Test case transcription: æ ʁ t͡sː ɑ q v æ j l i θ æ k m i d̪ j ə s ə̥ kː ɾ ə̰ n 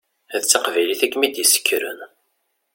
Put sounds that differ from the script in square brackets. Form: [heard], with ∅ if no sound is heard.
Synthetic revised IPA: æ [ð] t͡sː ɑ q v æ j l i θ æ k m i d̪ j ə s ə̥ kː ɾ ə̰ n